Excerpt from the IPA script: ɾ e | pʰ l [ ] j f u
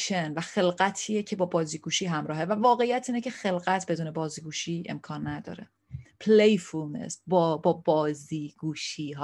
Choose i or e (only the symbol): e